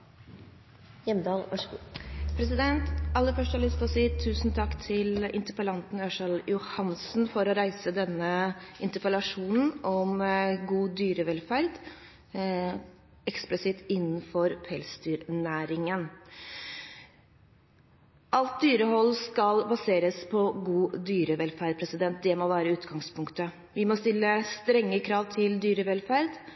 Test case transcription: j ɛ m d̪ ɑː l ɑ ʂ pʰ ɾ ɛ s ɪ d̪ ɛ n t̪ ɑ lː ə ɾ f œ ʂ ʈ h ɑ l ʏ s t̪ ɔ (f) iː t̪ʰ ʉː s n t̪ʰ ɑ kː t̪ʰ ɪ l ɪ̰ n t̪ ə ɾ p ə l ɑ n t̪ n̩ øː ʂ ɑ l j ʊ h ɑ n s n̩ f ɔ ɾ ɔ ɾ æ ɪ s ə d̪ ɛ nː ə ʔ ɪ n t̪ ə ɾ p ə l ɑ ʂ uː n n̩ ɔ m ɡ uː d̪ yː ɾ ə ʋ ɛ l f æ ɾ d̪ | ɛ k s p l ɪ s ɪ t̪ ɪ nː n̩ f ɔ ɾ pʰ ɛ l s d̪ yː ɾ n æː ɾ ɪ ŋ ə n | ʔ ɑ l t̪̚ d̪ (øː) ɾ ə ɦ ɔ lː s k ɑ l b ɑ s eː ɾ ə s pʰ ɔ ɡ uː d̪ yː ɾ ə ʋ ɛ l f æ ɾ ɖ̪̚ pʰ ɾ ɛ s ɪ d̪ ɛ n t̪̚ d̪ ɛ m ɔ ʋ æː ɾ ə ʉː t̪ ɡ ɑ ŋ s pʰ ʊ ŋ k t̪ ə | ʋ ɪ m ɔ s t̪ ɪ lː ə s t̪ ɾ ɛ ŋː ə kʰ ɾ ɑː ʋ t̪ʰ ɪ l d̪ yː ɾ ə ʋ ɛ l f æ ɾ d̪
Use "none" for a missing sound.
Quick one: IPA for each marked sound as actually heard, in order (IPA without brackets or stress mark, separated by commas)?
s, yː